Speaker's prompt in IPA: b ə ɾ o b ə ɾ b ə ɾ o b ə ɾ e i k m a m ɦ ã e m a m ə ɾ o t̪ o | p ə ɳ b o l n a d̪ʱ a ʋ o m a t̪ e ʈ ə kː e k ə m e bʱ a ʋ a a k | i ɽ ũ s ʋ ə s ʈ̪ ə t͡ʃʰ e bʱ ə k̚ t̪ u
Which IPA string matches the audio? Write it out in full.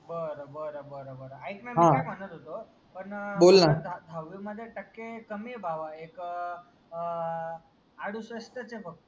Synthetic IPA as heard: b ə ɾ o b ə ɾ b ə ɾ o b ə ɾ a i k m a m ɦ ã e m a n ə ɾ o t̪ o | p ə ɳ b o l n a d̪ʱ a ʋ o m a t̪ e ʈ ə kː e k ə m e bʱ a ʋ a e k | a ɽ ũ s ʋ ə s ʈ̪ ə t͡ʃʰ e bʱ ə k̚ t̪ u